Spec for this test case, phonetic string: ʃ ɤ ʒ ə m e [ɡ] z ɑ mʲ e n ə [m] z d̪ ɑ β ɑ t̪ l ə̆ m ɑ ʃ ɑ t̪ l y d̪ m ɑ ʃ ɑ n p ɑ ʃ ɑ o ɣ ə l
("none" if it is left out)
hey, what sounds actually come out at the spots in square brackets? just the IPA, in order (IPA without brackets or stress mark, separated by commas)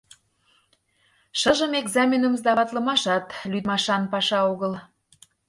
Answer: ɡ, m